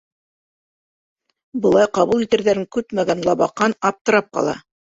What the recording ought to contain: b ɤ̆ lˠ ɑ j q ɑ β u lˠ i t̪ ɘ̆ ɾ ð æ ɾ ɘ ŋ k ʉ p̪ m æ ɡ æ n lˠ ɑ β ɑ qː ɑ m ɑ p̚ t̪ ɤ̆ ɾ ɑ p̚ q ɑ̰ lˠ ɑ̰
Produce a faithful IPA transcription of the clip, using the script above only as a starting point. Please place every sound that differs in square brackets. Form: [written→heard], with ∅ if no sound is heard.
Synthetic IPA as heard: b ɤ̆ lˠ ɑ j q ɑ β u lˠ i t̪ ɘ̆ ɾ ð æ ɾ ɘ ŋ k ʉ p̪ m æ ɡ æ n lˠ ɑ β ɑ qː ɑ [m→n] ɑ p̚ t̪ ɤ̆ ɾ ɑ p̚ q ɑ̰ lˠ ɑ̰